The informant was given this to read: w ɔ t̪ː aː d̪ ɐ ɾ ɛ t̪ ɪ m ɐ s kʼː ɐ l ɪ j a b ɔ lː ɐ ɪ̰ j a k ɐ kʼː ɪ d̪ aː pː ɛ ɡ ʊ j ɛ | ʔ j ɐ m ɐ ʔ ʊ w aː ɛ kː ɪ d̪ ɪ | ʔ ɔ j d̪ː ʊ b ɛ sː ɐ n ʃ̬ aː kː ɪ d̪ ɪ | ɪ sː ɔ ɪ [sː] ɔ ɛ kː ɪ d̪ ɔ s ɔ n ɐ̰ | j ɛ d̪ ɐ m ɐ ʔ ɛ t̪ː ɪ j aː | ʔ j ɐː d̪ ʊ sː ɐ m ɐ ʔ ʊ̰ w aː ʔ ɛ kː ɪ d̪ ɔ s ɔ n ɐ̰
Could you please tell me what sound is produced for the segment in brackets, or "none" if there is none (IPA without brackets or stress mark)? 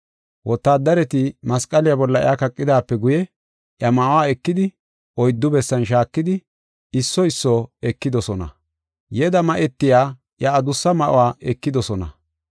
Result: sː